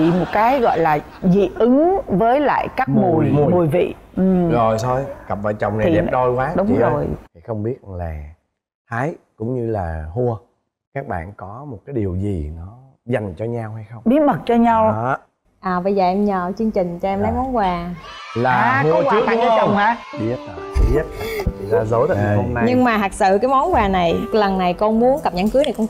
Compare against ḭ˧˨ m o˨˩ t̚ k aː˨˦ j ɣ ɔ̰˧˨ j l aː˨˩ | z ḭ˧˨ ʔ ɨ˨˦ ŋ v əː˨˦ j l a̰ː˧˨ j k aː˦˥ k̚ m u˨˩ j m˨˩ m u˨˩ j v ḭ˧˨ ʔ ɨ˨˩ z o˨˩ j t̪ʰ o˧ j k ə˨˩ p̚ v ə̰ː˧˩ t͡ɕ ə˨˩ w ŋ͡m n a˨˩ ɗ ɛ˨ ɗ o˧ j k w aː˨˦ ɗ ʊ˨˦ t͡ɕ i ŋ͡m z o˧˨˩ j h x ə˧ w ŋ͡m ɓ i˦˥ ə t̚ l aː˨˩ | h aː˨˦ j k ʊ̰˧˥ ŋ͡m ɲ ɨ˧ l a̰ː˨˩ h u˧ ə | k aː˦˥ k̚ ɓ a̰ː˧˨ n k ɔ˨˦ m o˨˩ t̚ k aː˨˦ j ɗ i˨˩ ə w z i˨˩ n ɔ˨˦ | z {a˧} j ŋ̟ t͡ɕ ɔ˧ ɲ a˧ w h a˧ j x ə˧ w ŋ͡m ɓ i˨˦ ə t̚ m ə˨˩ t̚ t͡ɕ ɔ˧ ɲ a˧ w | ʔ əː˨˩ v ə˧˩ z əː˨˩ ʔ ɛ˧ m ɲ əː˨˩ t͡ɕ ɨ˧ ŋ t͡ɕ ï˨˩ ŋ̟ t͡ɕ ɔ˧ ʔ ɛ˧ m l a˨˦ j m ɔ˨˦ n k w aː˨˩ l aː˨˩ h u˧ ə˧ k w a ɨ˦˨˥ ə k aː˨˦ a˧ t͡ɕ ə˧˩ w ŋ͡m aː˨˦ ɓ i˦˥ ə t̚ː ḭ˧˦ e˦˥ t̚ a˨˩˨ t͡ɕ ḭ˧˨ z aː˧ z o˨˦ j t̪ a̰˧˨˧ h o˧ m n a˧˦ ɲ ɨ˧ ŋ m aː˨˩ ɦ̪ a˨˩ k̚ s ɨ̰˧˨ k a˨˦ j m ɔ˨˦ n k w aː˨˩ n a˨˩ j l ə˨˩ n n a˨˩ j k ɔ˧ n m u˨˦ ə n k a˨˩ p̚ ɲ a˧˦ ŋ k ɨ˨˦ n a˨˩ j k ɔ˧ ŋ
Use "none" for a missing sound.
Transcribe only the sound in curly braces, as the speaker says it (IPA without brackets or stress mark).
a˨˩